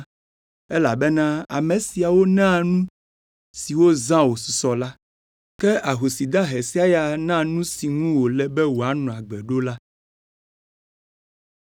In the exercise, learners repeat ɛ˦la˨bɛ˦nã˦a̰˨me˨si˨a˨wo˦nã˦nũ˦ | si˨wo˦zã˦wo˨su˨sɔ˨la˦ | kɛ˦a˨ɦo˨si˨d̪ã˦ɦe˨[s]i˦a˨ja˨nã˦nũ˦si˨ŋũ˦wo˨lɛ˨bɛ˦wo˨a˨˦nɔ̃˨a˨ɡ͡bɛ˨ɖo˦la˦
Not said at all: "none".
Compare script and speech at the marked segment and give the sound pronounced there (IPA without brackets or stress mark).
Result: s